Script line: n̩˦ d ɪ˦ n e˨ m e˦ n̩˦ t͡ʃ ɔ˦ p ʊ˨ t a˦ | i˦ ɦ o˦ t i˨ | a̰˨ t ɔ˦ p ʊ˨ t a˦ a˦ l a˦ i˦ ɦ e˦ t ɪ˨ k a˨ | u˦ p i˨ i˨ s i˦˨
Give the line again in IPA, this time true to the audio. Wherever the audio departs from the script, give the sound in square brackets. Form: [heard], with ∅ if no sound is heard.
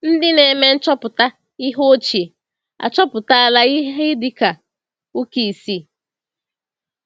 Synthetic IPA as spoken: n̩˦ d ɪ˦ n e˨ m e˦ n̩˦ t͡ʃ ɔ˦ p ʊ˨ t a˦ | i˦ ɦ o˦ [t͡ʃ] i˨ | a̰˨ [t͡ʃ] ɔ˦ p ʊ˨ t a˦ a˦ l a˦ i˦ ɦ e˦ [d] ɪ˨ k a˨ | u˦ [k] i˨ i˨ s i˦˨